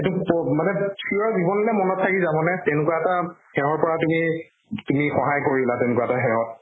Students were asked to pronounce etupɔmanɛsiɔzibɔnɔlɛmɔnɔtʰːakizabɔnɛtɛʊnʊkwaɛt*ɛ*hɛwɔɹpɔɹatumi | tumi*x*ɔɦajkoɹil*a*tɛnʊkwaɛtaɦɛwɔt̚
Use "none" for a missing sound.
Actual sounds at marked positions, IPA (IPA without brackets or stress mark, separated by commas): a, x, a